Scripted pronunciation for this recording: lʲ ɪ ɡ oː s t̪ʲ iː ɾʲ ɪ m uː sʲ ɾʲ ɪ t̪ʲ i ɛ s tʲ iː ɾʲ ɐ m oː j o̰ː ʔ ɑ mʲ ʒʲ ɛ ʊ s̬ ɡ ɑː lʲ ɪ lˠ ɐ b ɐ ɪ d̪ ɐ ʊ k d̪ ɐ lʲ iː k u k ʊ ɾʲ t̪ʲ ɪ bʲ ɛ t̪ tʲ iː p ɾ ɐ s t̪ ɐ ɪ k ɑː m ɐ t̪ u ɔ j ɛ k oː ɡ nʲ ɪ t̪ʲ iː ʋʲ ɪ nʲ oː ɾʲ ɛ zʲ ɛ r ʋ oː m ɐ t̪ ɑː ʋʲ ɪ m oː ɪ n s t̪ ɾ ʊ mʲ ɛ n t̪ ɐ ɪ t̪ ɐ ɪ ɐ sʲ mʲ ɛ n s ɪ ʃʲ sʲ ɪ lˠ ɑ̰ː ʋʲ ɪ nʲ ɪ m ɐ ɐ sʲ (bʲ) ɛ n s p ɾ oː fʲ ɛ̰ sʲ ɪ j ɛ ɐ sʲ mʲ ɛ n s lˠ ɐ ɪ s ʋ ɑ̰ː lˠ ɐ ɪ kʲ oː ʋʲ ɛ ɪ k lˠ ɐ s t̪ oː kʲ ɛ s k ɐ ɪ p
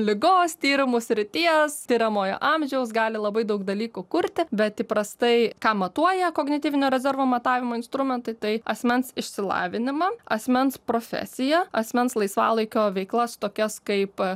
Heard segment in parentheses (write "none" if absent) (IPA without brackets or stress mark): mʲ